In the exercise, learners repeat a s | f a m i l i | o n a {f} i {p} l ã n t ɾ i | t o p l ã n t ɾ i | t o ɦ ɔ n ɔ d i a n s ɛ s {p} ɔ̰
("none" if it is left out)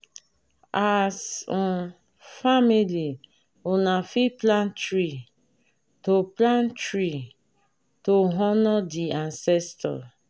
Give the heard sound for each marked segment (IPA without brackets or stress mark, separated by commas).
f, p, t